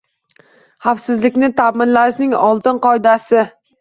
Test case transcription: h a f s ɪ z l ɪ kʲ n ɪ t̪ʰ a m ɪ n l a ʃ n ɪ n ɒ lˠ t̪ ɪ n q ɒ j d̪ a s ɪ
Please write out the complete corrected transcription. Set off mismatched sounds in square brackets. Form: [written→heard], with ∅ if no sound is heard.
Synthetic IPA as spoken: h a f s ɪ z l ɪ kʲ n ɪ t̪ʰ a m ɪ n l a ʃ n ɪ [n→ŋ] ɒ lˠ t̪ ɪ n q ɒ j d̪ a s ɪ